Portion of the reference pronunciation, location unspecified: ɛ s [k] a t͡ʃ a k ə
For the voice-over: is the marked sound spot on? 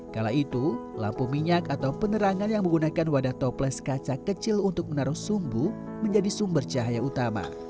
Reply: yes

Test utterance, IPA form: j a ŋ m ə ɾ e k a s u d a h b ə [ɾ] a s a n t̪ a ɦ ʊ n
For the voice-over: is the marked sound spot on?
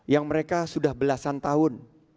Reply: no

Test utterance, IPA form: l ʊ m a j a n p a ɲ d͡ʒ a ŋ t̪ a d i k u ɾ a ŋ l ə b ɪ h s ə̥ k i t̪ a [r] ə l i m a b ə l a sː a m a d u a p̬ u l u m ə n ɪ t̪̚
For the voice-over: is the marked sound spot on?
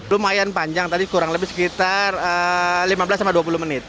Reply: yes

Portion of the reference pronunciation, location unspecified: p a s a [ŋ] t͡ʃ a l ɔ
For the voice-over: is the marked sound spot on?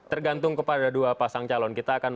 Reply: yes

